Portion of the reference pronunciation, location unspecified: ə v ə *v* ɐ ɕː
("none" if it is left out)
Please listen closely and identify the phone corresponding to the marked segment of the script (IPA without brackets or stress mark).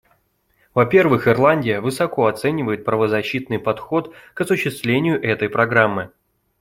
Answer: z